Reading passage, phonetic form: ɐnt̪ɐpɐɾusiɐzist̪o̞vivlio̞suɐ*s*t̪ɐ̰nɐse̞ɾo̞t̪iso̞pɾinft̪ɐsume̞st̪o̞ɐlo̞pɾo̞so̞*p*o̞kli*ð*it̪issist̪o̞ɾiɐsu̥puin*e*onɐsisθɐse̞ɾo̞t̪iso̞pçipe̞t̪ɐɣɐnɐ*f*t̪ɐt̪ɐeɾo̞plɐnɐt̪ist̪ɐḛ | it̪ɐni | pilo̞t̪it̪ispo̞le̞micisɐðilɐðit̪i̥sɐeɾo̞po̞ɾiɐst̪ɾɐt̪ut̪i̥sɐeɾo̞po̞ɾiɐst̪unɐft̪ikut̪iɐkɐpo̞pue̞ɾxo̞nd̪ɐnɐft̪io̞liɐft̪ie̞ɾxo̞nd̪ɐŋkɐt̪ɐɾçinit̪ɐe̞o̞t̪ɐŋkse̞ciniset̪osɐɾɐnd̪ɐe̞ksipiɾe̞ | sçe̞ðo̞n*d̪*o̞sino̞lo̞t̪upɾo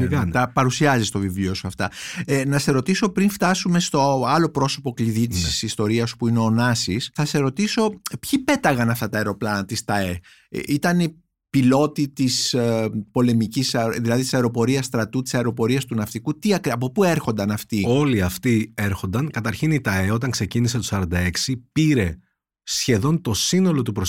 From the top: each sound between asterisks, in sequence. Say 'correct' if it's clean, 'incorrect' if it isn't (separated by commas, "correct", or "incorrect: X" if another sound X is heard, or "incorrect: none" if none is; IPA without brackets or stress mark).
incorrect: f, correct, correct, correct, correct, incorrect: t̪